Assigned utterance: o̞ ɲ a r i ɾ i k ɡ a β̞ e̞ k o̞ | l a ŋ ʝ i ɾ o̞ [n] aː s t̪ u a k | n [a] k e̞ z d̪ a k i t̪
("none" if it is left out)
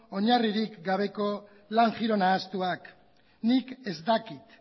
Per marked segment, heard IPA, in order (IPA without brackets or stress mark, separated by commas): n, i